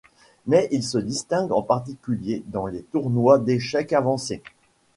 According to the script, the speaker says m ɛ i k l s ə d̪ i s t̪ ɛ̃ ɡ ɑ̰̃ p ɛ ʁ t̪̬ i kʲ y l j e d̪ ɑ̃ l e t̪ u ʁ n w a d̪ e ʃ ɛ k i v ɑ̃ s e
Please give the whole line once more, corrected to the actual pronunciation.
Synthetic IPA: m ɛ i l s ə d̪ i s t̪ ɛ̃ ɡ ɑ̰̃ p a ʁ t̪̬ i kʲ y l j e d̪ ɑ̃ l e t̪ u ʁ n w a d̪ e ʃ ɛ k a v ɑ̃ s e